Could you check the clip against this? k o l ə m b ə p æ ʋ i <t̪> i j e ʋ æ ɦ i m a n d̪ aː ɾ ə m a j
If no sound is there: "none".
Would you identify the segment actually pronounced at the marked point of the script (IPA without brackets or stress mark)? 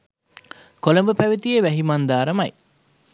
t̪